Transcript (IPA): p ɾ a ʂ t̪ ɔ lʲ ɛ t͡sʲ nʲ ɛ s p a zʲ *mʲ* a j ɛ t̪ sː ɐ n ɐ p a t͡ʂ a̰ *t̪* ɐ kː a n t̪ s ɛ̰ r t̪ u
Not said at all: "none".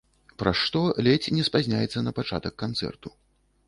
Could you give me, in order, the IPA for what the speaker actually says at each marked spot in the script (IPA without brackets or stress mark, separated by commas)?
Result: nʲ, t̪